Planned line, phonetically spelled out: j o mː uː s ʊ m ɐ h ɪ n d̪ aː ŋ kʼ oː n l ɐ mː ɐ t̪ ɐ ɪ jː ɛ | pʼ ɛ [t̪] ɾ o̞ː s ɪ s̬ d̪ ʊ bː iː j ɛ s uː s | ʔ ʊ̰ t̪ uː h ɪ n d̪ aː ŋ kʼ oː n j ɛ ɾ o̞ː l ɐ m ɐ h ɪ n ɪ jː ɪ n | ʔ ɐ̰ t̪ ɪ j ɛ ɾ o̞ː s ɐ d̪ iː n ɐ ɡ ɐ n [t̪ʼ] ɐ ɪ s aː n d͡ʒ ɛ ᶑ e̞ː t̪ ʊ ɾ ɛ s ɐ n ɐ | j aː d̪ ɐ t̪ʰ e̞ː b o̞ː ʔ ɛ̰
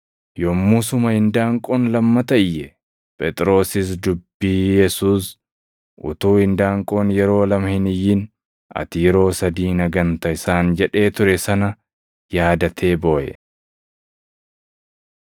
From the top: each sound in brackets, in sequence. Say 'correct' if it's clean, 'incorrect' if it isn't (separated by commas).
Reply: incorrect, incorrect